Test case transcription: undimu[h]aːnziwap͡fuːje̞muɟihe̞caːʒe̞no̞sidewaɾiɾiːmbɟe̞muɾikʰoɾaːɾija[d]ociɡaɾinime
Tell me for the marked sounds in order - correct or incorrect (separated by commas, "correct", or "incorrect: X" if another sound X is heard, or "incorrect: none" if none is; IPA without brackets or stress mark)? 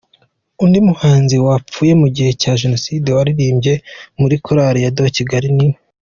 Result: correct, correct